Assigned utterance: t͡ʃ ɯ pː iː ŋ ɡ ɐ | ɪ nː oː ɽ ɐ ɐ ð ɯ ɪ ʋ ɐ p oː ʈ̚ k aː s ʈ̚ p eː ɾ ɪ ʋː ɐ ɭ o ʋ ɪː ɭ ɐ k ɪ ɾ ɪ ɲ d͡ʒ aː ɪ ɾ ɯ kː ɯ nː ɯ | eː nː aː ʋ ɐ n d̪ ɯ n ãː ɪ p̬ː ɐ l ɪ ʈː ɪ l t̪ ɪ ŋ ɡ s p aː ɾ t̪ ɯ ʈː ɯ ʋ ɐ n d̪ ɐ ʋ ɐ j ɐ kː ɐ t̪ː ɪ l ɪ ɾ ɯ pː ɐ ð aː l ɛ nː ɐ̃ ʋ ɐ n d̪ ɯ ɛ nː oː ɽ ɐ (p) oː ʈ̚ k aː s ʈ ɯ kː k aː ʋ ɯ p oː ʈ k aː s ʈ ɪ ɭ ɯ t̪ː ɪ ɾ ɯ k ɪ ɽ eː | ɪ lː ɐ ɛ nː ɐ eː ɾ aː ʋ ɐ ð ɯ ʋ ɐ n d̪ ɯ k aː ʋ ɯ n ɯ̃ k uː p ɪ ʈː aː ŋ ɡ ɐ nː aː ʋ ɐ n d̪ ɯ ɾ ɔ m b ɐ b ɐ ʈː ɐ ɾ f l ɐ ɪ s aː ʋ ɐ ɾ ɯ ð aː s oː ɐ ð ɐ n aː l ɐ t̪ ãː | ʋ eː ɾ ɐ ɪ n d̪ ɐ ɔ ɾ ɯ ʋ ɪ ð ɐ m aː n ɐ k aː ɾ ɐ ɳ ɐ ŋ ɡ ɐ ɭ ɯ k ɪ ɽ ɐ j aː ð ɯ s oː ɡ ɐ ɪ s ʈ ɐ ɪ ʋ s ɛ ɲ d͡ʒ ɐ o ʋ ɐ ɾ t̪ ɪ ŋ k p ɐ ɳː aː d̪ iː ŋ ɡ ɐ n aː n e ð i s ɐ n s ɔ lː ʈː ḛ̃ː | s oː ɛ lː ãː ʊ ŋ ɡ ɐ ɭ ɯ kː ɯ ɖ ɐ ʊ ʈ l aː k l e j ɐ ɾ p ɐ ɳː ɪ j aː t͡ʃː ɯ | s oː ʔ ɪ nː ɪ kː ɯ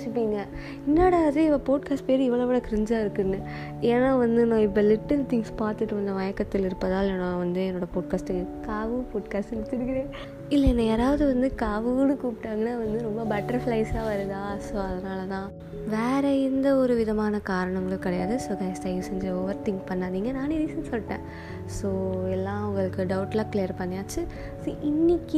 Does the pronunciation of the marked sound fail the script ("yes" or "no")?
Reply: no